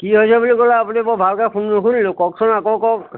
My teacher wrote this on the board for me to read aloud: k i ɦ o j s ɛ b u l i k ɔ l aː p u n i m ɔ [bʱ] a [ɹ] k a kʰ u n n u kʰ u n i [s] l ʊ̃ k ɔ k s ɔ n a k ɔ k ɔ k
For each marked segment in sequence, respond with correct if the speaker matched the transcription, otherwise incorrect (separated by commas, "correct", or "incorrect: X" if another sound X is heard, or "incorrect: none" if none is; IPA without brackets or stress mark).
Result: correct, incorrect: l, incorrect: none